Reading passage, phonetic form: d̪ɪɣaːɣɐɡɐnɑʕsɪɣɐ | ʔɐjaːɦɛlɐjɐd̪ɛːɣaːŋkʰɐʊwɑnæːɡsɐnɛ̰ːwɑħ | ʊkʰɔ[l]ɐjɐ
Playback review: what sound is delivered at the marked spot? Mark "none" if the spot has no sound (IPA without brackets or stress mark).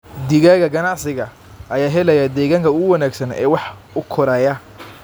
ɾ